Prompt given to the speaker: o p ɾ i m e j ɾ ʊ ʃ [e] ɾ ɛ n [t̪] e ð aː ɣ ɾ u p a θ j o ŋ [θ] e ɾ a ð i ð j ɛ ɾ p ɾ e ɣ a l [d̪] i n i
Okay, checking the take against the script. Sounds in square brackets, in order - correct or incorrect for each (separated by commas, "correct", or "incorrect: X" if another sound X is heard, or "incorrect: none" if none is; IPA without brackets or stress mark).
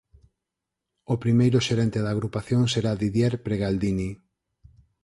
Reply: correct, correct, incorrect: s, correct